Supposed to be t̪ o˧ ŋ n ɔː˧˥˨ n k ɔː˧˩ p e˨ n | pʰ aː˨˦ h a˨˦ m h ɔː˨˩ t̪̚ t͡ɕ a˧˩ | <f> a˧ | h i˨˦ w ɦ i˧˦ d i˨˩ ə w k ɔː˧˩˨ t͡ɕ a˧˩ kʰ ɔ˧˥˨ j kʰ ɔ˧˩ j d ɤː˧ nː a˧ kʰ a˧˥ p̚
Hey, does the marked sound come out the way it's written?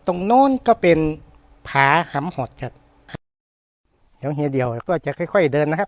no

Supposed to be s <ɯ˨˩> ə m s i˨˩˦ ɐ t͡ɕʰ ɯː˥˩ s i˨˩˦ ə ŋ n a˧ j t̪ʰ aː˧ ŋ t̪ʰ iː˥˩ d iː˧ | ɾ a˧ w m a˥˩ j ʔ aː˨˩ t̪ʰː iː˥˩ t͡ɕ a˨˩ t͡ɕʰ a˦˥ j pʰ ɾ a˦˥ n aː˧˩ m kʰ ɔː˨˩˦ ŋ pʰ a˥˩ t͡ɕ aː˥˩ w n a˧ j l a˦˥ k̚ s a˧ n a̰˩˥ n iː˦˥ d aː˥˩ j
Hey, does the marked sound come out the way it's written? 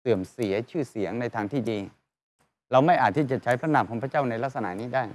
yes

